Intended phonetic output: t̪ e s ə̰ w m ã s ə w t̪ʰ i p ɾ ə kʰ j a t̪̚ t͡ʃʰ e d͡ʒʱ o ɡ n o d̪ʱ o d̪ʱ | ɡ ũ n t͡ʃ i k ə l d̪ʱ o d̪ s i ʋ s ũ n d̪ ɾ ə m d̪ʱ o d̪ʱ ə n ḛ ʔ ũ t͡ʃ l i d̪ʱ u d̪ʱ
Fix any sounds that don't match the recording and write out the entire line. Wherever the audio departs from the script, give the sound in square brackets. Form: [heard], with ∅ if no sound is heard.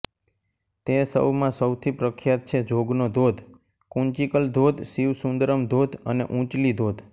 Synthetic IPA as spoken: t̪ e s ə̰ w m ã s ə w t̪ʰ i p ɾ ə kʰ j a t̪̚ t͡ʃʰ e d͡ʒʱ o ɡ n o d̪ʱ o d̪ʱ | [k] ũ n t͡ʃ i k ə l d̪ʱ o d̪ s i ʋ s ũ n d̪ ɾ ə m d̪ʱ o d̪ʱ ə n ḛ ʔ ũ t͡ʃ l i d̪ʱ [o] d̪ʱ